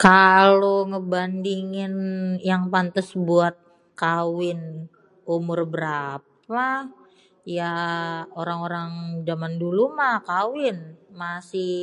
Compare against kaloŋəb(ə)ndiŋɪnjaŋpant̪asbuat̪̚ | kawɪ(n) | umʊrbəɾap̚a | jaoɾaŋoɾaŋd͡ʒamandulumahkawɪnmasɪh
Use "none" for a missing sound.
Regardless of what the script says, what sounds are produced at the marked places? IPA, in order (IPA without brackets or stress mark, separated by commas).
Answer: a, n